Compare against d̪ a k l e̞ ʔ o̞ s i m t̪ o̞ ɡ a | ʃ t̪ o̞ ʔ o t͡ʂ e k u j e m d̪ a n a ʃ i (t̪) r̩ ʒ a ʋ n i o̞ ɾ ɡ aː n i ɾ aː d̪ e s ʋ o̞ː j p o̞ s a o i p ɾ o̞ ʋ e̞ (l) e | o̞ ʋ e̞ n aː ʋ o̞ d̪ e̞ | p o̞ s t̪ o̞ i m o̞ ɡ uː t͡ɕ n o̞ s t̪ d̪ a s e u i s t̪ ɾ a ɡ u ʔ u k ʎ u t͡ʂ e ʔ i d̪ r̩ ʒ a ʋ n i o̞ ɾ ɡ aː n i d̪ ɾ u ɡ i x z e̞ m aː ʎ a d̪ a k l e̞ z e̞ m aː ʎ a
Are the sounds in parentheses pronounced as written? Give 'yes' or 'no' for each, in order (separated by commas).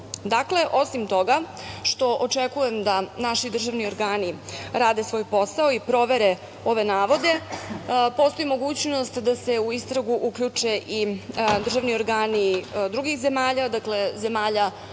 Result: no, no